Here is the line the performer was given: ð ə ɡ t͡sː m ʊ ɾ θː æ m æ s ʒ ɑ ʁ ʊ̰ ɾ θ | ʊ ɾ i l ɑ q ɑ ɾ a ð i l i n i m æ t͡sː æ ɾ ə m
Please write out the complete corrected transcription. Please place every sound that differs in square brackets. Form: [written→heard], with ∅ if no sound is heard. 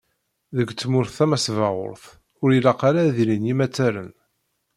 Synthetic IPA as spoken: ð ə ɡ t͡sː m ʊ ɾ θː æ m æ s [ʒ→v] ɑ ʁ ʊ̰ ɾ θ | ʊ ɾ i l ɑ q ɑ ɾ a ð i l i n i m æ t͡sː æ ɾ ə [m→n]